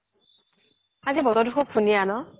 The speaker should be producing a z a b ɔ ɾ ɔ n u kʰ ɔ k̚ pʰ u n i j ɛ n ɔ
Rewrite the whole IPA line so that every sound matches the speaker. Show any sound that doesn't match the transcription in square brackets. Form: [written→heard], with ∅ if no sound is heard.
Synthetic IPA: a z [a→i] b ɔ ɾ ɔ [n→d] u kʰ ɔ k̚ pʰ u n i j [ɛ→a] n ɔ